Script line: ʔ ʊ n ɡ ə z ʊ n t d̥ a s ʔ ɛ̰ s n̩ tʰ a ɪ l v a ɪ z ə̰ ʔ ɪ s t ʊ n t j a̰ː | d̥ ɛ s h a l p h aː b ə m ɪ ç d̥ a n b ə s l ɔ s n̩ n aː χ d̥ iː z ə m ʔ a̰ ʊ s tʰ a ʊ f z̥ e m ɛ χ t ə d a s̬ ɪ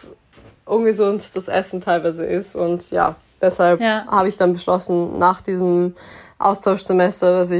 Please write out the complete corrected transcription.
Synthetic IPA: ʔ ʊ n ɡ ə z ʊ n t d̥ a s ʔ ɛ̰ s n̩ tʰ a ɪ l v a ɪ z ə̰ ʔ ɪ s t ʊ n t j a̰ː | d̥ ɛ s h a l p h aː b ə ɪ ç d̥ a n b ə ʃ l ɔ s n̩ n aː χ d̥ iː z ə m ʔ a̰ ʊ s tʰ a ʊ ʃ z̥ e m ɛ s t ɐ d a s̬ ɪ